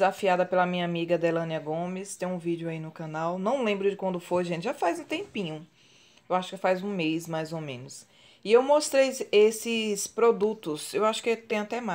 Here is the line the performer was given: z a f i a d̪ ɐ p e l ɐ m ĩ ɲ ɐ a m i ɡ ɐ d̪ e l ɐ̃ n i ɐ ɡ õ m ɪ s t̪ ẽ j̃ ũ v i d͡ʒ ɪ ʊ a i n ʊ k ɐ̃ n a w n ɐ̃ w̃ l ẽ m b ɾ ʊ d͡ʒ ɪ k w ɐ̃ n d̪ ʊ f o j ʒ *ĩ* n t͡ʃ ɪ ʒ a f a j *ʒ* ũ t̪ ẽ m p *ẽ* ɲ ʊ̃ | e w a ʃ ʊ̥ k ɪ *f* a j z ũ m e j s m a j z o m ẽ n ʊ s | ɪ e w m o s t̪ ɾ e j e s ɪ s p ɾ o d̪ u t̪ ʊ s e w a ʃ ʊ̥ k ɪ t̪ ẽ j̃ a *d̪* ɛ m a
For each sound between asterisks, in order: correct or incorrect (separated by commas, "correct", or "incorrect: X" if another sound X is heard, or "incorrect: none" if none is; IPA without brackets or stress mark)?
incorrect: ẽ, incorrect: z, incorrect: ĩ, correct, incorrect: t̪